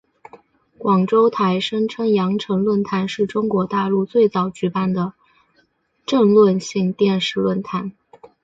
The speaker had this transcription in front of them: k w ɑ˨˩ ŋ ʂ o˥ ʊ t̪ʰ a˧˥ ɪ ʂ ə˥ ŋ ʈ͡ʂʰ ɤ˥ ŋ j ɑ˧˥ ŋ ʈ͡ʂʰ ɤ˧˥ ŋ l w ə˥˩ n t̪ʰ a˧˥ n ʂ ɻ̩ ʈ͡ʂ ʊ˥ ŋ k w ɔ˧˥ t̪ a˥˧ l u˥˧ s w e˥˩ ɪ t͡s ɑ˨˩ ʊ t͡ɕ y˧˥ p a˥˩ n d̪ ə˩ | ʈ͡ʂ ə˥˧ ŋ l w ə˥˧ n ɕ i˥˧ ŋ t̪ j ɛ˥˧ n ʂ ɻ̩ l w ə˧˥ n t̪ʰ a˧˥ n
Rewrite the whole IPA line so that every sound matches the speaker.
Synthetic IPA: k w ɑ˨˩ ŋ ʈ͡ʂ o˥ ʊ t̪ʰ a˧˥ ɪ ʂ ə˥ ŋ ʈ͡ʂʰ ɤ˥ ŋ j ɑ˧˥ ŋ ʈ͡ʂʰ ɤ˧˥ ŋ l w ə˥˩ n t̪ʰ a˧˥ n ʂ ɻ̩ ʈ͡ʂ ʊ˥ ŋ k w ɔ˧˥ t̪ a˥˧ l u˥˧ t͡s w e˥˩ ɪ t͡s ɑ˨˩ ʊ t͡ɕ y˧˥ p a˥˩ n d̪ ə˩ | ʈ͡ʂ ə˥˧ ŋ l w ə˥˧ n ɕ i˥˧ ŋ t̪ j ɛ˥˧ n ʂ ɻ̩ l w ə˥˩ n t̪ʰ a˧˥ n